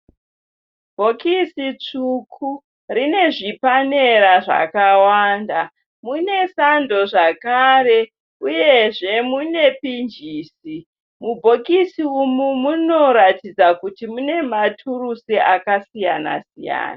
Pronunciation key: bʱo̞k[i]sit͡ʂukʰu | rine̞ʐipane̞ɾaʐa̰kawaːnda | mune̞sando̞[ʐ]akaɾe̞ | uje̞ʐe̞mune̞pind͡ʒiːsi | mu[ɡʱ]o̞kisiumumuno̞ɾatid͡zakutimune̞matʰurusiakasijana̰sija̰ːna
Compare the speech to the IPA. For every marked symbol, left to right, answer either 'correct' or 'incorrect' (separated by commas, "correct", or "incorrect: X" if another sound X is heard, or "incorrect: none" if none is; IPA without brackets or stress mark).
correct, correct, incorrect: bʱ